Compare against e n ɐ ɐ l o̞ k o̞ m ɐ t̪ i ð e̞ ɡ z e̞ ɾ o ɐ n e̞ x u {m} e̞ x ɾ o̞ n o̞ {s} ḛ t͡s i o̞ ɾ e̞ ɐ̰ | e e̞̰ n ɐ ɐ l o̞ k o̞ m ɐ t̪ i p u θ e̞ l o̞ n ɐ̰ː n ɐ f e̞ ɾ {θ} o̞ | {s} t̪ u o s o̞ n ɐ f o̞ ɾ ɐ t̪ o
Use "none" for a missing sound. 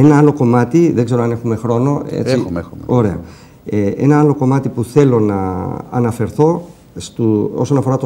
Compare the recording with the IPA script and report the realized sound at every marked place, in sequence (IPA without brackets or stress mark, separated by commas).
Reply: m, none, θ, s